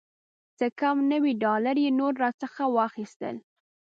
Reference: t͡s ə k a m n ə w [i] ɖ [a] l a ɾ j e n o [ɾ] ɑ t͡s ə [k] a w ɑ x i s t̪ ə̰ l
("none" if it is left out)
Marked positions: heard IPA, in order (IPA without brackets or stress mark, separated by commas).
i, ɑ, ɾː, x